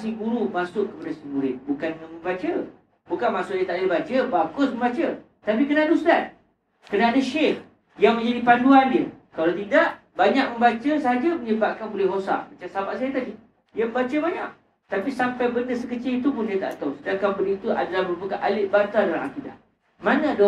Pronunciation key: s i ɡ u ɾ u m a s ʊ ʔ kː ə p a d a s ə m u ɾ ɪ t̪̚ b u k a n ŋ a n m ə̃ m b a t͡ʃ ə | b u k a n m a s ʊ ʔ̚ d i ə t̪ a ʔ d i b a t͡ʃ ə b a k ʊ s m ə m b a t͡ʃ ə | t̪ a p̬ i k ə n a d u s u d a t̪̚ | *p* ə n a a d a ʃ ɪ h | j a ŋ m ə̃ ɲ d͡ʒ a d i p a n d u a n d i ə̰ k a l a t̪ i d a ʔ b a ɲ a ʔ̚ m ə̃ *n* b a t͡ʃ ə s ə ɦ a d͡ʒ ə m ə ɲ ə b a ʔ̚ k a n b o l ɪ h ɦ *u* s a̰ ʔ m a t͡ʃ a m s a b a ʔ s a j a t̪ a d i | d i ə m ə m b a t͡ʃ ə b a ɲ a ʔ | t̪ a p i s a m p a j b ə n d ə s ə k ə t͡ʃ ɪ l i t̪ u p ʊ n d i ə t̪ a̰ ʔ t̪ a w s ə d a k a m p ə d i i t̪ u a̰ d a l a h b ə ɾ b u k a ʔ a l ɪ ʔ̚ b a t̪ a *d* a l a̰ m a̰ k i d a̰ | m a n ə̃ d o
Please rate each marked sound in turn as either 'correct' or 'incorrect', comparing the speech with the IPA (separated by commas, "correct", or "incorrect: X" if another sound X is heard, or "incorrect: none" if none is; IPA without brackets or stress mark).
incorrect: k, incorrect: m, incorrect: o, correct